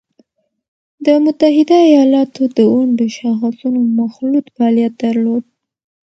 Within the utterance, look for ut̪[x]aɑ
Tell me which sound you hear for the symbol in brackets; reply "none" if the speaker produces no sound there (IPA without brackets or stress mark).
f